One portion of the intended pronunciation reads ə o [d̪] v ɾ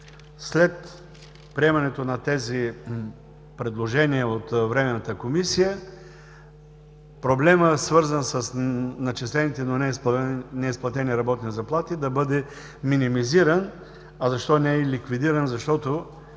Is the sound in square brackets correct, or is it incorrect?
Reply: incorrect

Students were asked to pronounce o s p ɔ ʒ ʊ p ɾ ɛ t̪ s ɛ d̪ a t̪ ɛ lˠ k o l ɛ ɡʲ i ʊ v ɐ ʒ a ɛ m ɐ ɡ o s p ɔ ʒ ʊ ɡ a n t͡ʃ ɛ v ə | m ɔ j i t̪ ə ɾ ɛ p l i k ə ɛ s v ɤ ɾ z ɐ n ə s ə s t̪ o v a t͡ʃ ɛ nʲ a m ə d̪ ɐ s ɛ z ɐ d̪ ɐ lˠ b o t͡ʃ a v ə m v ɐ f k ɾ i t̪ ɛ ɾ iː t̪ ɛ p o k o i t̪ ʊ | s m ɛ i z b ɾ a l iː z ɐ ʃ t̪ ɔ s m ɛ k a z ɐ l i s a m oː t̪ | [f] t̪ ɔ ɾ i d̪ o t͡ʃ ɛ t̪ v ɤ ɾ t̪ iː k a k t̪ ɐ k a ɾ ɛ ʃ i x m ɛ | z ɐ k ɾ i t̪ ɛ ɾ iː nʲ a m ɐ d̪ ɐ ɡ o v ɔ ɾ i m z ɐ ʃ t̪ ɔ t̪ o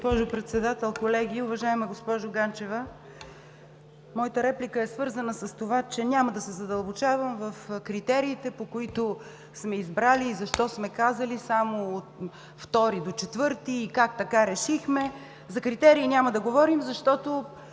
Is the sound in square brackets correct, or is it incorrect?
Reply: correct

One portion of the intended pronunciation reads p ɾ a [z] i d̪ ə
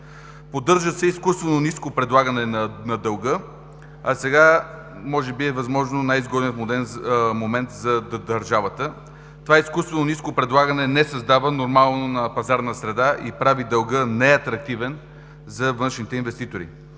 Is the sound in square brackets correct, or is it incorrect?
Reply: incorrect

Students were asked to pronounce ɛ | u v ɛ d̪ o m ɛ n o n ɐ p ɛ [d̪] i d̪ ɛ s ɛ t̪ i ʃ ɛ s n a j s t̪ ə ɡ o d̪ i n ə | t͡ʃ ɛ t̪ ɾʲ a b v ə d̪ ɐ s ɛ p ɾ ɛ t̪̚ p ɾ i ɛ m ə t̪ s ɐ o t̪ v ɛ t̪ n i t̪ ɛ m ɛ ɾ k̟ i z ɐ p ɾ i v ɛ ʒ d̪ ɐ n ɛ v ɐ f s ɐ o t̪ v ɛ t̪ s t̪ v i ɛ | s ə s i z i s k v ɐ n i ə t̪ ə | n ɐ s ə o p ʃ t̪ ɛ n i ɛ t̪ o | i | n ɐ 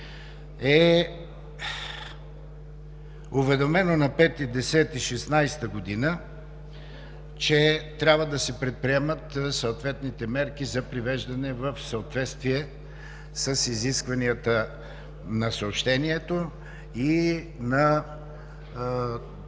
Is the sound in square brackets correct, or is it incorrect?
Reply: incorrect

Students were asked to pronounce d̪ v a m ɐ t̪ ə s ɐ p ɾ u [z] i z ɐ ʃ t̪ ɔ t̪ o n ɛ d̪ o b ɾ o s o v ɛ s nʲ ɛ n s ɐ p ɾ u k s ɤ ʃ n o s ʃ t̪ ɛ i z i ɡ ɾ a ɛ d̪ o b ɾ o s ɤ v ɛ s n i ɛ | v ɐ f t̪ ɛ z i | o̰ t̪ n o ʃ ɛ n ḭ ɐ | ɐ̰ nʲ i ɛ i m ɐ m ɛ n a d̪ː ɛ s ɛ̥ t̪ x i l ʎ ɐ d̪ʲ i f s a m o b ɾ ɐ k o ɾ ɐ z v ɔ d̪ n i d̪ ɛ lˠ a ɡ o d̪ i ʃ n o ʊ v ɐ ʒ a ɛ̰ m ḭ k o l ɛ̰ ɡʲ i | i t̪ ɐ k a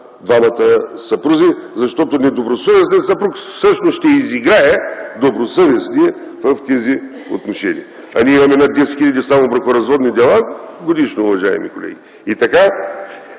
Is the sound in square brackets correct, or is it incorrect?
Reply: correct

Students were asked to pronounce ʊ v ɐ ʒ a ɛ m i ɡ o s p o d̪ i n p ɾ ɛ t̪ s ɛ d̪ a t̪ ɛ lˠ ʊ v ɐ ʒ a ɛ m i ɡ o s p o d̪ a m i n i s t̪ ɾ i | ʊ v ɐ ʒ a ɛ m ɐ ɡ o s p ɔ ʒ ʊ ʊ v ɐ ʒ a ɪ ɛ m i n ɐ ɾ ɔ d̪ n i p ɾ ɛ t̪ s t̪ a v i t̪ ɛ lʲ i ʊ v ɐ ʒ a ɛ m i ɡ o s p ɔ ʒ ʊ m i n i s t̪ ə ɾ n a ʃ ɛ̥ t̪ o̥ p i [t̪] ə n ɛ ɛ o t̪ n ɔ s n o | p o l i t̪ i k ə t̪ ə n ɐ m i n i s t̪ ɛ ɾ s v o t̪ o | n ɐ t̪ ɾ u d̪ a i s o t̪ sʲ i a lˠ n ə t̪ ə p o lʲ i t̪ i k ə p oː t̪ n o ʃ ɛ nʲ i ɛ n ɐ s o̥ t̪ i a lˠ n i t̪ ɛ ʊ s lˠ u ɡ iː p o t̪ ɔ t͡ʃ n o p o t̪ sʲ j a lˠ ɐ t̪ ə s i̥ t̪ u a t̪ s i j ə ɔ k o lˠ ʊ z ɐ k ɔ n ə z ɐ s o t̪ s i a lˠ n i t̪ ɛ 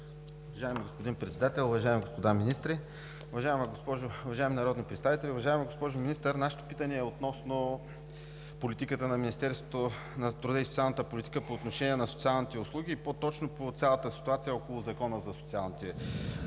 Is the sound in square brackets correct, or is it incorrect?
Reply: correct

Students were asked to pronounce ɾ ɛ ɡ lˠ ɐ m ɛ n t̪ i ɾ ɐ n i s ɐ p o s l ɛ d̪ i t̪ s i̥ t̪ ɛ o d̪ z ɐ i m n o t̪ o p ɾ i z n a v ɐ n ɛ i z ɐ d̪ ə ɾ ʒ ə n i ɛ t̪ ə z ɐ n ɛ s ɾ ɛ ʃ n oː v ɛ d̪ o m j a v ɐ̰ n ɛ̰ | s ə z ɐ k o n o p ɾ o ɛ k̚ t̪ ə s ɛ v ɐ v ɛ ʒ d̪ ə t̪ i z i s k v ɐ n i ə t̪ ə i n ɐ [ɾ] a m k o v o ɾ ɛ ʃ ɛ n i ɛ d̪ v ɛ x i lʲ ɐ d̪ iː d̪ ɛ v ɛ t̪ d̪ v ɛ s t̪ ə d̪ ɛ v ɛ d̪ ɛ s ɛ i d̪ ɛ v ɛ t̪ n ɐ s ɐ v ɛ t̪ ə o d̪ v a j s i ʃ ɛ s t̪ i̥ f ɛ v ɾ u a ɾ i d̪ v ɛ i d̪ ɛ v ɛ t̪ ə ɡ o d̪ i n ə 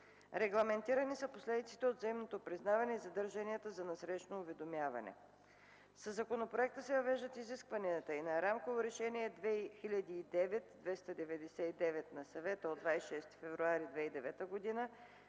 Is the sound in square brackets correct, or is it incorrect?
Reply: correct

